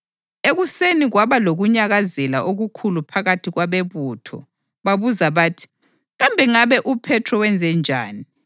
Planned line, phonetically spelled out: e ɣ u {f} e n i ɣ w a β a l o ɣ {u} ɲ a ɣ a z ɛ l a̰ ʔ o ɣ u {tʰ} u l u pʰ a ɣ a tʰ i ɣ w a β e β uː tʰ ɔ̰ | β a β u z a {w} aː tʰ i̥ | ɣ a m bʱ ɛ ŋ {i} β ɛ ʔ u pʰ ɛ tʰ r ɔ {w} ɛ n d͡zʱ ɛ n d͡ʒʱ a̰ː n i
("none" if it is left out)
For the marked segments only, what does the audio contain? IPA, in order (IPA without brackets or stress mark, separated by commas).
s, u, kʰ, β, a, w